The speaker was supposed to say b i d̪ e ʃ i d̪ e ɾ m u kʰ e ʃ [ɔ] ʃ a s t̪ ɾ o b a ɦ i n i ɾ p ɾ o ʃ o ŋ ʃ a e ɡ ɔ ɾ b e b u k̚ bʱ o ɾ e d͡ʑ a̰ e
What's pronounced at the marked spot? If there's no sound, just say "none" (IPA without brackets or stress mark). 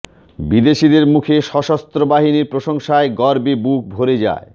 ɔ